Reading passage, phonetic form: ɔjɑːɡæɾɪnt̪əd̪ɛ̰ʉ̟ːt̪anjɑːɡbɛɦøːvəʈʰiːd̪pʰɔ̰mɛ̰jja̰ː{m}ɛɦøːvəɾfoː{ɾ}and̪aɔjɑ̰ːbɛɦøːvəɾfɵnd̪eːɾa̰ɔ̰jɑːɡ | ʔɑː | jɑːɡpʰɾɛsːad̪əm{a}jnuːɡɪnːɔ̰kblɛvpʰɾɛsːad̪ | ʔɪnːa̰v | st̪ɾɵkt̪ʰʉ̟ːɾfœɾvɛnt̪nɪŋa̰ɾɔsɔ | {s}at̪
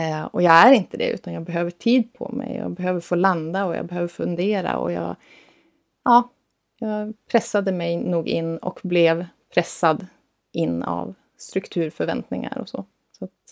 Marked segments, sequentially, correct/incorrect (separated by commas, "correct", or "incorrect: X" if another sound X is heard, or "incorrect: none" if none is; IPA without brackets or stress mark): incorrect: b, incorrect: l, incorrect: ɛ, correct